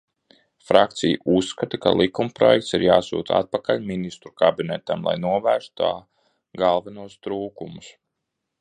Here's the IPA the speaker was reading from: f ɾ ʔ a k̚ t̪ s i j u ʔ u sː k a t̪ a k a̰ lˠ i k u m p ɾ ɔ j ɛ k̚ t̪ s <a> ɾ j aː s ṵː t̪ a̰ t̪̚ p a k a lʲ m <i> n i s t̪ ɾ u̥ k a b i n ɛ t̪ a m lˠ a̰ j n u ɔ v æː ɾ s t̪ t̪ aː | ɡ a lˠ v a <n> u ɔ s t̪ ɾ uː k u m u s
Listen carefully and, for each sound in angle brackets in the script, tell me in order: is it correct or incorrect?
incorrect: i, correct, correct

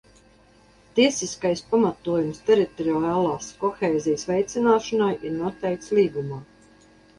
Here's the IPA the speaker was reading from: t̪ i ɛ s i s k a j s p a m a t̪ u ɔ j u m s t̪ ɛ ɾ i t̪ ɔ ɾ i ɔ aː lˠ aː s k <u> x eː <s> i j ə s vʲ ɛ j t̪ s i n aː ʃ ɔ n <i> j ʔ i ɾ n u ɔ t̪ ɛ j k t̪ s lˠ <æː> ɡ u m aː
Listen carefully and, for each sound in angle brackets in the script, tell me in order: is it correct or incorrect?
incorrect: ɔ, incorrect: z, incorrect: a, incorrect: iː

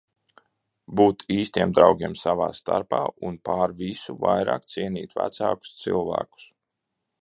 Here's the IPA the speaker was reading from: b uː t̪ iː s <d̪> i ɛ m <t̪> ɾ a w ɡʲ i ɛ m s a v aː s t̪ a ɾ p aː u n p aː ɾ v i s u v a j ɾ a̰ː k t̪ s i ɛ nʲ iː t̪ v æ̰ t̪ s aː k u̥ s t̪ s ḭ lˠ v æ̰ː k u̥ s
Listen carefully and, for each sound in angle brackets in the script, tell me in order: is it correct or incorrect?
incorrect: t̪, incorrect: d̪

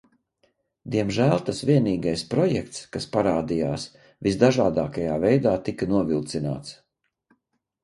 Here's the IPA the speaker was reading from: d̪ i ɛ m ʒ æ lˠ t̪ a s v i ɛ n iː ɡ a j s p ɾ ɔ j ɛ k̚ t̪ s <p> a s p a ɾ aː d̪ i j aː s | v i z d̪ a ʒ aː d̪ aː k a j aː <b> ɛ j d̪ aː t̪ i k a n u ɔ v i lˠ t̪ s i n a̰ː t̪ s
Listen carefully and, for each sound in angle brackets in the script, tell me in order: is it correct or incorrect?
incorrect: k, incorrect: v

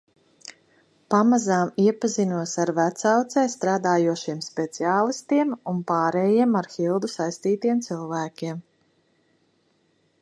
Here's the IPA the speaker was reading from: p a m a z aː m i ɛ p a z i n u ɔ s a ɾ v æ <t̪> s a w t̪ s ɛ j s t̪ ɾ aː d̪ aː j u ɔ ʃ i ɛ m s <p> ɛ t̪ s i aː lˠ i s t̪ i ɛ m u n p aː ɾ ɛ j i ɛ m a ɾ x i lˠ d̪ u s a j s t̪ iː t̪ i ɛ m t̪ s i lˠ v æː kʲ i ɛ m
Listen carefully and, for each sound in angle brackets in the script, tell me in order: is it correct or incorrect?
correct, correct

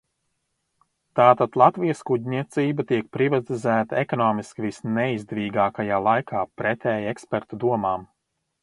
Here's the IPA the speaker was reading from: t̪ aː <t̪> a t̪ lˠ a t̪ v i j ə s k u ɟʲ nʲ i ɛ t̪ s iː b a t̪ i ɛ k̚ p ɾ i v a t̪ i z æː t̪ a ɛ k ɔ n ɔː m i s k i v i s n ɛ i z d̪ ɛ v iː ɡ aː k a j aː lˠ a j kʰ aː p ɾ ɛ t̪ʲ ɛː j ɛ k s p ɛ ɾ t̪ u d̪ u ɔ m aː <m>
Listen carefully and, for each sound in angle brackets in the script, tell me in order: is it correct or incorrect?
correct, correct

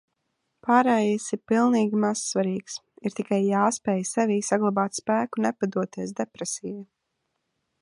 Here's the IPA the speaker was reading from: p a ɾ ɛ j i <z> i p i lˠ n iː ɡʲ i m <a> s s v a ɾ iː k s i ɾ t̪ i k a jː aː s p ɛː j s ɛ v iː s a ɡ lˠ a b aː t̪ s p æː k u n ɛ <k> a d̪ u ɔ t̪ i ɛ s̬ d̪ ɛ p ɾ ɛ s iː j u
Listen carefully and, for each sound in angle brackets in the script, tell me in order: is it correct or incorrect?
incorrect: s, correct, incorrect: p

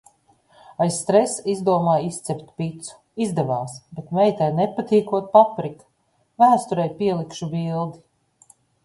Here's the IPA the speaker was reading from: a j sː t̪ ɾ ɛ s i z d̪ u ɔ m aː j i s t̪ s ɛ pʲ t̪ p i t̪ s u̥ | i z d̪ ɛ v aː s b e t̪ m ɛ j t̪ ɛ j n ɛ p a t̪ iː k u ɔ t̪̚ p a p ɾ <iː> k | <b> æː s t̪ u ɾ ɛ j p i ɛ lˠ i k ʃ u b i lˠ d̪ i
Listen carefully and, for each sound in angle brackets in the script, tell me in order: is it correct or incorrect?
incorrect: i, incorrect: v

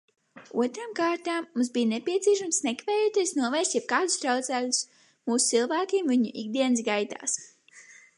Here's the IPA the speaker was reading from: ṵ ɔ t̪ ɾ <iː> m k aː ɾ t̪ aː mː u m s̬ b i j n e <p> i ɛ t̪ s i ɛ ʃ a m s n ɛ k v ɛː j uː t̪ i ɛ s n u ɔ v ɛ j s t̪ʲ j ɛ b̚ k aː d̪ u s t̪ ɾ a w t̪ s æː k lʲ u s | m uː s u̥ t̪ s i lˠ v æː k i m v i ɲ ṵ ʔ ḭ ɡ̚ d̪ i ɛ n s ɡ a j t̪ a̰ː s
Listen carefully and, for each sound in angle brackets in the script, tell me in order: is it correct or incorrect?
incorrect: aː, correct

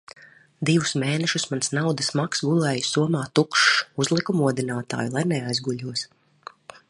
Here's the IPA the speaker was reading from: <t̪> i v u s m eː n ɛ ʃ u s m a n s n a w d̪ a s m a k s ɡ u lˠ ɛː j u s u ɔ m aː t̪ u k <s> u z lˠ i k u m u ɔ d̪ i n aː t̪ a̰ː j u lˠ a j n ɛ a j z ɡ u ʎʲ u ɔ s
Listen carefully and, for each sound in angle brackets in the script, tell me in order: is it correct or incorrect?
incorrect: d̪, incorrect: ʃ

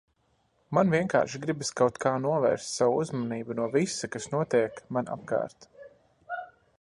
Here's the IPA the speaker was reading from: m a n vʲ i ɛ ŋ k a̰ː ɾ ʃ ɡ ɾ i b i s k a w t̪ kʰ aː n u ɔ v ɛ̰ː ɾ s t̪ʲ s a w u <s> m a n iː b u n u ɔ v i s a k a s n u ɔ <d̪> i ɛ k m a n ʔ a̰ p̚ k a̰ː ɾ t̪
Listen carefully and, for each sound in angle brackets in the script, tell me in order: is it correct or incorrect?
incorrect: z, incorrect: t̪

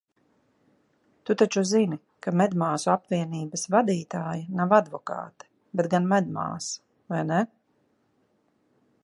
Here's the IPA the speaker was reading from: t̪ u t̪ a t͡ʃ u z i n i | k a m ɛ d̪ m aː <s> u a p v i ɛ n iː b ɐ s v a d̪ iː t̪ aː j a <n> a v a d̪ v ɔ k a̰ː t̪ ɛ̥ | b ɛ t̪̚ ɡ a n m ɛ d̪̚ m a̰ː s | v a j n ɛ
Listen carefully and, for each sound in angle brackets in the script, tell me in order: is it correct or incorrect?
correct, correct

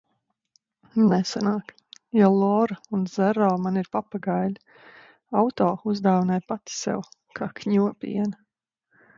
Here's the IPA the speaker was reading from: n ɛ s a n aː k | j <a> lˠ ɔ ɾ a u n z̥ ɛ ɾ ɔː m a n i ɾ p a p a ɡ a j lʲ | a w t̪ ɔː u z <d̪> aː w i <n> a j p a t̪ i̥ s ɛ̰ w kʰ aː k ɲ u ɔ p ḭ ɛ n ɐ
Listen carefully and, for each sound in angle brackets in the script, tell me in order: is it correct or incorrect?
correct, correct, correct

